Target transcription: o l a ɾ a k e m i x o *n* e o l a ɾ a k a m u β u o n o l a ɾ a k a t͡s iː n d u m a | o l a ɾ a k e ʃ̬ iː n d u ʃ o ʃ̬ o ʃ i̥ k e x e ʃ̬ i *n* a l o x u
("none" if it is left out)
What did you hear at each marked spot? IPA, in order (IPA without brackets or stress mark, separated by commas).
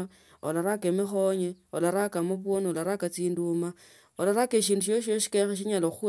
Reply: ɲ, ɲ